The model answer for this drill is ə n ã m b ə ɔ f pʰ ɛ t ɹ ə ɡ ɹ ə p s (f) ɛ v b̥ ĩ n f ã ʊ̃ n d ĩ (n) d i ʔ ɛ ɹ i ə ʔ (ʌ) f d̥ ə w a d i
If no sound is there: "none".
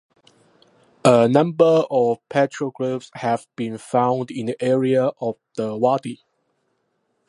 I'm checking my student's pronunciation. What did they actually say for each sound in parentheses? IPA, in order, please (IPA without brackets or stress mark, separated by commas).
h, n, ɔ